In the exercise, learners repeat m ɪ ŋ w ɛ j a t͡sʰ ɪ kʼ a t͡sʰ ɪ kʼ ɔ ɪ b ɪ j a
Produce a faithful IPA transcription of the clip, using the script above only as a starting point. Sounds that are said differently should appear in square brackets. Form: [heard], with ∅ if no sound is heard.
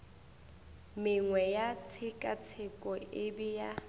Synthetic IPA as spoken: m ɪ ŋ w ɛ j a t͡sʰ ɪ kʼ a t͡sʰ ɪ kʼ ɔ ɪ b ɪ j a

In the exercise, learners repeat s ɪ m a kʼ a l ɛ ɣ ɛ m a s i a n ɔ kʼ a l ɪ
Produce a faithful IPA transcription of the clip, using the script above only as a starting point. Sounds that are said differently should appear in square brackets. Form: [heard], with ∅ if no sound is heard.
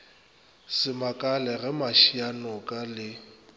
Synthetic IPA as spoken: s ɪ m a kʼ a l ɛ ɣ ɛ m a [ʃ] i a n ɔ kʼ a l ɪ

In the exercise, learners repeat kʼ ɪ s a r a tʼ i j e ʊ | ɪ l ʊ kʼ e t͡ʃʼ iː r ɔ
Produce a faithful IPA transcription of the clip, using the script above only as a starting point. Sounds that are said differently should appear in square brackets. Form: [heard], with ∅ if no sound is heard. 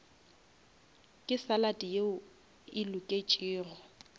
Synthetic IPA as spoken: kʼ ɪ s a [l] a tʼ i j e ʊ | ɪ l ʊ kʼ e t͡ʃʼ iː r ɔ

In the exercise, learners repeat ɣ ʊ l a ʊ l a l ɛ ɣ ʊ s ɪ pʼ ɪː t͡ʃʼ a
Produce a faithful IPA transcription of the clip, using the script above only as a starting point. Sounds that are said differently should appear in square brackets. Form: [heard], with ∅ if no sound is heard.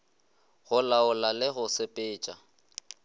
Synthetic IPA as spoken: ɣ ʊ l a ʊ l a l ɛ ɣ ʊ s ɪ pʼ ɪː t͡ʃʼ a

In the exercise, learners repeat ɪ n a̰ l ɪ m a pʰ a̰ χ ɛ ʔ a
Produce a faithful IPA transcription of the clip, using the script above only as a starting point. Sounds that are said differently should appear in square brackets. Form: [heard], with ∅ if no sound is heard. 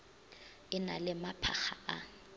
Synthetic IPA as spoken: ɪ n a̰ l ɪ m a pʰ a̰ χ [a] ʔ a

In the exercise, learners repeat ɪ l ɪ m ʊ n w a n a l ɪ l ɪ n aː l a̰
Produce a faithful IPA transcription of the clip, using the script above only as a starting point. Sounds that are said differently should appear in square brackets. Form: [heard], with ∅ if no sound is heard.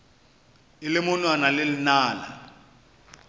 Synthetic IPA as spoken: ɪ l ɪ m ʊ n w a n a l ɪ l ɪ n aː l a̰

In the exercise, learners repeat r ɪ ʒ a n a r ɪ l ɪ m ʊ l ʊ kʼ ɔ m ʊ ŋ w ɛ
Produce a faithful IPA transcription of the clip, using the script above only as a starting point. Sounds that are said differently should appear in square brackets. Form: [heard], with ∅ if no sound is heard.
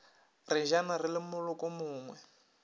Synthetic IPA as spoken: r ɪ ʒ a n a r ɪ l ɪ m ʊ l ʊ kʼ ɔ m [ʊː] ŋ w ɛ

